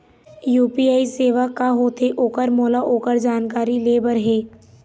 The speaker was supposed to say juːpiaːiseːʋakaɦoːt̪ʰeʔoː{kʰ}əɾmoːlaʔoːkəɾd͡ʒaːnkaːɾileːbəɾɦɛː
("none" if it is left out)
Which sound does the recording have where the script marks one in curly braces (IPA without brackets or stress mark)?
k